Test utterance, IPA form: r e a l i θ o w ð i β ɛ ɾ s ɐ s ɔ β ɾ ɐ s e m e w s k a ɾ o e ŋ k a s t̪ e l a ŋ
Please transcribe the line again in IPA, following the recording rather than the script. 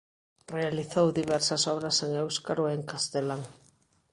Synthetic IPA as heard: r e a l i θ o w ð i β ɛ ɾ s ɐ s ɔ β ɾ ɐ s e ŋ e w s k a ɾ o e ŋ k a s t̪ e l a ŋ

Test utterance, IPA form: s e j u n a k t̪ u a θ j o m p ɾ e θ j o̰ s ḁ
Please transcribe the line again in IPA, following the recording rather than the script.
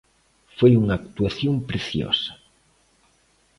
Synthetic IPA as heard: f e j u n a k t̪ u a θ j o m p ɾ e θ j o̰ s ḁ

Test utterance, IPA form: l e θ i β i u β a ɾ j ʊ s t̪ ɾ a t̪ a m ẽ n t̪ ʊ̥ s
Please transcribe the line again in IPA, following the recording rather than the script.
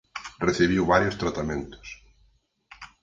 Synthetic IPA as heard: r e θ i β i w β a ɾ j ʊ s t̪ ɾ a t̪ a m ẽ n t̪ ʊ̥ s

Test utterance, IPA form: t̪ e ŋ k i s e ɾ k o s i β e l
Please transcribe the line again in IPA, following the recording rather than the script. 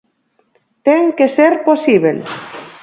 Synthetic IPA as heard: t̪ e ŋ k e s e ɾ p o s i β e l

